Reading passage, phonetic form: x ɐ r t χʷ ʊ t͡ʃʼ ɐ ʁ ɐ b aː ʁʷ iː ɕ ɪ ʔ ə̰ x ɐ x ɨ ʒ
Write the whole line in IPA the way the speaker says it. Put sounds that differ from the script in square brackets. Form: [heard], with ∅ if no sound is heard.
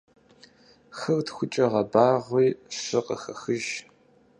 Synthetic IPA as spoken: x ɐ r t [xʷ] ʊ t͡ʃʼ ɐ ʁ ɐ b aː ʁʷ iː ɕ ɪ [q] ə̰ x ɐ x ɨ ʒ